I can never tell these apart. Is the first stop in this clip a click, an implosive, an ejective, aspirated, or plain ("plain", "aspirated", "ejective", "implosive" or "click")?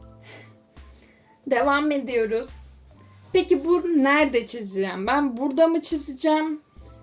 plain